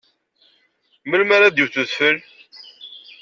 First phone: m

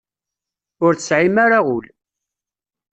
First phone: ʊ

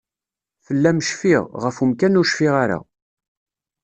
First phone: f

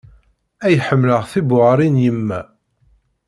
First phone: æ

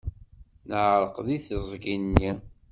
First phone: n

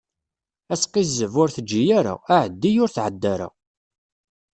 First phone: æ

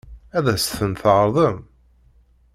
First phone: æ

